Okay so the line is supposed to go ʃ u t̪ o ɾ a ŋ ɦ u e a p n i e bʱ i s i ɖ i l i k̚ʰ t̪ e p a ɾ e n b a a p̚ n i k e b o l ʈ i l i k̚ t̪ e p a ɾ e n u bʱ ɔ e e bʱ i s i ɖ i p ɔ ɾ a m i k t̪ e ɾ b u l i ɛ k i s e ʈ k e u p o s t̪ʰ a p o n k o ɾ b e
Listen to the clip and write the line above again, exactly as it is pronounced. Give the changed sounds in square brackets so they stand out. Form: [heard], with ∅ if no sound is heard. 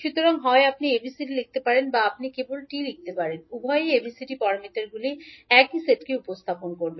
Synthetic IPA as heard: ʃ u t̪ o ɾ a ŋ ɦ [ɔ] e a p n i e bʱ i s i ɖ i l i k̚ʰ t̪ e p a ɾ e n b a a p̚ n i k e b o l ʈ i l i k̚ t̪ e p a ɾ e n u bʱ ɔ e e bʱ i s i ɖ i p ɔ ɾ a m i [∅] t̪ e ɾ [ɡ] u l i ɛ k i s e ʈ k e u p o s t̪ʰ a p o n k o ɾ b e

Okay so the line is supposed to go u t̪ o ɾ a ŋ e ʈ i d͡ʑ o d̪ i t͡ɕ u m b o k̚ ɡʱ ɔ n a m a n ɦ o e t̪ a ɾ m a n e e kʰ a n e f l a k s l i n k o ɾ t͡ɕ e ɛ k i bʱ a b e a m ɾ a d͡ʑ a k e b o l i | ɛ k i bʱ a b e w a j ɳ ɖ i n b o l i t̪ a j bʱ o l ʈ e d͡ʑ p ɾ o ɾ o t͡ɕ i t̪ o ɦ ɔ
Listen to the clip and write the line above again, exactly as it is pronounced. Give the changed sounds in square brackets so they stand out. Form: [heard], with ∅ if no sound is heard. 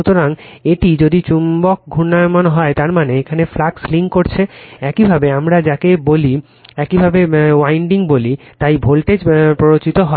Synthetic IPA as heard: u t̪ o ɾ a ŋ e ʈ i d͡ʑ o d̪ i t͡ɕ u m b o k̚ ɡʱ [u] n a m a n ɦ [ɔ] e t̪ a ɾ m a n e e kʰ a n e f l a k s l i [ŋ] k o ɾ [t͡ɕʰ] e ɛ k i bʱ a b e a m ɾ a d͡ʑ a k e b o l i | ɛ k i bʱ a b e w a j ɳ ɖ i [ŋ] b o l i t̪ a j bʱ o l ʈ e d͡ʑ p ɾ o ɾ o t͡ɕ i t̪ o ɦ ɔ

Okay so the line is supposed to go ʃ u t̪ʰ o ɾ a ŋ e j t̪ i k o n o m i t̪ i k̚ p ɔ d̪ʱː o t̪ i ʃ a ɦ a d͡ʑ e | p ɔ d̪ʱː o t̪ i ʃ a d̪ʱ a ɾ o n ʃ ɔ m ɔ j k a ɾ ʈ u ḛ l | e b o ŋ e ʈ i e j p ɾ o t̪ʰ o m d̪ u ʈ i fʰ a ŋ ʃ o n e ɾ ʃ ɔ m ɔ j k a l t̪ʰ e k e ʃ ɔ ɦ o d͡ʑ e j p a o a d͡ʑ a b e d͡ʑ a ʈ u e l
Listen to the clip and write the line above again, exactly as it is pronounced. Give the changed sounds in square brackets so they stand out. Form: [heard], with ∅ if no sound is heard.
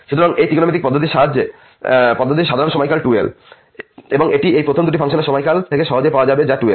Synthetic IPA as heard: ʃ u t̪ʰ o ɾ a ŋ e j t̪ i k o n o m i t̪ i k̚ p ɔ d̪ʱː o t̪ i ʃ a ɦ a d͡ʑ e | p ɔ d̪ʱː o t̪ i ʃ a d̪ʱ a ɾ o n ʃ ɔ m ɔ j k a [l] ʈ u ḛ l | e b o ŋ e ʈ i e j p ɾ o t̪ʰ o m d̪ u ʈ i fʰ a ŋ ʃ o n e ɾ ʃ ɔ m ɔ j k a l t̪ʰ e k e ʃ ɔ ɦ o d͡ʑ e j p a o a d͡ʑ a b e d͡ʑ a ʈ u e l

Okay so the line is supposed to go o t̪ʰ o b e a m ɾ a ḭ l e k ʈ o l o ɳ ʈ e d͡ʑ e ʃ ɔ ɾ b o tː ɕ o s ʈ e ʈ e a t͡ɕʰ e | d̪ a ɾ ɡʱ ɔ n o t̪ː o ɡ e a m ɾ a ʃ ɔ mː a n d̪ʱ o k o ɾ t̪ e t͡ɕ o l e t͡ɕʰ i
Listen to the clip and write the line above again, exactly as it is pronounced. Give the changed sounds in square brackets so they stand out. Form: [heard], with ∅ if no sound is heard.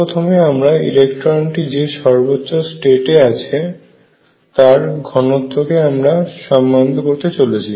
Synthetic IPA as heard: o t̪ʰ o [m] e a m ɾ a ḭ l e k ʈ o [ɾ] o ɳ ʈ [i] d͡ʑ e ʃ ɔ ɾ b o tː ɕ o s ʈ e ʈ e a t͡ɕʰ e | [t̪] a ɾ ɡʱ ɔ n o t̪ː o [k] e a m ɾ a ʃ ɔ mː a n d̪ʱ o k o ɾ t̪ e t͡ɕ o l e t͡ɕʰ i

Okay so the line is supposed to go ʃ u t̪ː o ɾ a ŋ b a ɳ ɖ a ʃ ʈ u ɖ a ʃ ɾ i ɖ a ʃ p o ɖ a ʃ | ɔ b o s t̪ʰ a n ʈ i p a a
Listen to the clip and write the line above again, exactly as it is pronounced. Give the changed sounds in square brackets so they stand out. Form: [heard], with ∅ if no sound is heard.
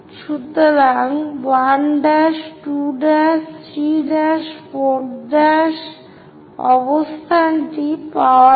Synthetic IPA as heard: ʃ u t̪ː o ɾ a ŋ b a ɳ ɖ a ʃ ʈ u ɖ a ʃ ɾ i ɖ a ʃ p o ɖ a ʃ | ɔ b o s t̪ʰ a n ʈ i p a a

